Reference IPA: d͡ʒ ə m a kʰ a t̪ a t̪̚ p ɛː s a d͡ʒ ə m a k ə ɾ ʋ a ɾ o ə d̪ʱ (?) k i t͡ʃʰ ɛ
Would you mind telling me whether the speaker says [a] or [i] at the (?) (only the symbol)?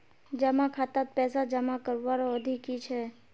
i